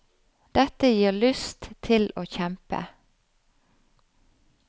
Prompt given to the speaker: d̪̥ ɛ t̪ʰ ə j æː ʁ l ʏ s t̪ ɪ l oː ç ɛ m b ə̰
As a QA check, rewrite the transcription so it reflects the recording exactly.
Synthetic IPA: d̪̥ ɛ t̪ ə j iː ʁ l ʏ s t̪ʰ ɪ l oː ç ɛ m p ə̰